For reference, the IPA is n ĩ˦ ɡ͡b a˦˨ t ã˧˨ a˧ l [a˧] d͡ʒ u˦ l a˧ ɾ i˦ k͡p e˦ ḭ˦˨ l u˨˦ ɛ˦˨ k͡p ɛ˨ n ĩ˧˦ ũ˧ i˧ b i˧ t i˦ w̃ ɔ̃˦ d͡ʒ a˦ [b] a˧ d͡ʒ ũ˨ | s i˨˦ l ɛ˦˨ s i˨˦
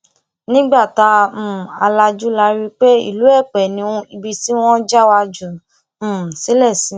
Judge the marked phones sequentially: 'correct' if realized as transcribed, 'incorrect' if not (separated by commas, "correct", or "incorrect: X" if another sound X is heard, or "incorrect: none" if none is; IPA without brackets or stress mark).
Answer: correct, incorrect: w